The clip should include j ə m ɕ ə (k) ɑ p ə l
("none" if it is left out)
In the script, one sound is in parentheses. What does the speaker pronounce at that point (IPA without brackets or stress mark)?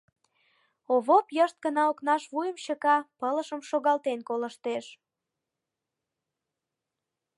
k